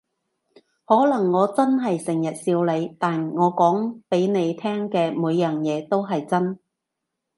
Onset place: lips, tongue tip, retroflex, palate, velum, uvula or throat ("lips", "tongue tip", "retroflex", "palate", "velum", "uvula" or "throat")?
throat